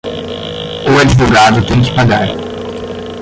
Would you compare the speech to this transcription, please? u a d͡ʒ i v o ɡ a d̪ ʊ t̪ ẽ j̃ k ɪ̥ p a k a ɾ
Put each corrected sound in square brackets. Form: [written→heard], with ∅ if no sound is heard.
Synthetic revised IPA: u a d͡ʒ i v o ɡ a d̪ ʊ t̪ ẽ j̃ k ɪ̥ p a [k→ɡ] a ɾ